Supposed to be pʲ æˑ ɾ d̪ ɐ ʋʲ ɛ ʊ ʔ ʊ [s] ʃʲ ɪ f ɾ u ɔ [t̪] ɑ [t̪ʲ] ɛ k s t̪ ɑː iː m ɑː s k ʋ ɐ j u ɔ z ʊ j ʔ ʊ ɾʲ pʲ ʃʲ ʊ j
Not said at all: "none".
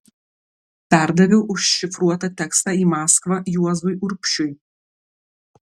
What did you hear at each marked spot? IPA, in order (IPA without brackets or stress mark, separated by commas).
ʃ, t̪, t̪ʲ